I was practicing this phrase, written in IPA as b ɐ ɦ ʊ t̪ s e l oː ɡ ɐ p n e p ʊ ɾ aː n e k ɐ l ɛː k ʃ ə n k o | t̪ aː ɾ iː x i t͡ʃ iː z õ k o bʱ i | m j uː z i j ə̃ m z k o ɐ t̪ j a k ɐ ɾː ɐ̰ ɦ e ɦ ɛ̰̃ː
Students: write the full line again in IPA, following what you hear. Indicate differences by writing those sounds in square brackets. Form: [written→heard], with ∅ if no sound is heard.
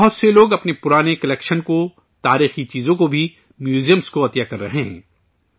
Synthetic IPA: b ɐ ɦ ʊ t̪ s e l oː ɡ ɐ p n e p ʊ ɾ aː n e k ɐ l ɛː k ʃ ə n k o | t̪ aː ɾ iː x i t͡ʃ iː z õ k o bʱ i | m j uː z i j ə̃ m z k o ɐ t̪ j a k ɐ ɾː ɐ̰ ɦ e ɦ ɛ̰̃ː